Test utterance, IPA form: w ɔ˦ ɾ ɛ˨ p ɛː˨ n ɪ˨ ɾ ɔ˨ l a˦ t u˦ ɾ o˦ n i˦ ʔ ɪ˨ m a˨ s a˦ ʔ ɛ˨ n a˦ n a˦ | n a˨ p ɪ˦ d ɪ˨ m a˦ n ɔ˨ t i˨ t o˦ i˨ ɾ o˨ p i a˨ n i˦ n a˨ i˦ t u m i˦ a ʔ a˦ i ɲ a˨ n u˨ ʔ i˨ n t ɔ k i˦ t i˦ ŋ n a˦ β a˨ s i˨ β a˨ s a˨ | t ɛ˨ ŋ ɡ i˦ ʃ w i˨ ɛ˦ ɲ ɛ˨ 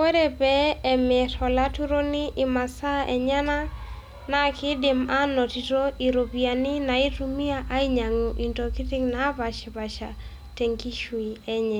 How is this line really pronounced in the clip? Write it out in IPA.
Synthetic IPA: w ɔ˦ ɾ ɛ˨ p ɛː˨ m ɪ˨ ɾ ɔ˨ l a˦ t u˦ ɾ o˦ n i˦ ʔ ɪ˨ m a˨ s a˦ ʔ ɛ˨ ɲ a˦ n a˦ | n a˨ k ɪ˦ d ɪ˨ m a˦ n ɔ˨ t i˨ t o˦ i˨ ɾ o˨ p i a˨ n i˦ n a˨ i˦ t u m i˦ a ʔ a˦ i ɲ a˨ ŋ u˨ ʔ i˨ n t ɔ k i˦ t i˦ ŋ n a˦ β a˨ ʃ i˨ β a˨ ʃ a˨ | t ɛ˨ ŋ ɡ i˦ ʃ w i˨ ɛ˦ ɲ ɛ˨